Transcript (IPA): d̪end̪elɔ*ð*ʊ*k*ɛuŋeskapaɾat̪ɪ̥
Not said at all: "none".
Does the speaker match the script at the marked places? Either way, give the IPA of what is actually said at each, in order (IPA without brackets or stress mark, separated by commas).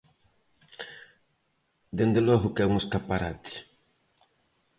ɣ, k